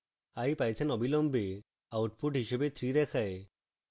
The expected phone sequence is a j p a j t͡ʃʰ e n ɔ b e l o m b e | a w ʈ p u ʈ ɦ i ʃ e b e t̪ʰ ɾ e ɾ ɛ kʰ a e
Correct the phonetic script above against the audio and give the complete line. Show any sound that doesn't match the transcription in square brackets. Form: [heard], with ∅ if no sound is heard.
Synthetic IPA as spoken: a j p a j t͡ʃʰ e n ɔ b [i] l [ɔ] m b e | a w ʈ p u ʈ ɦ i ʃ e b e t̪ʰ ɾ [i] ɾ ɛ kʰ a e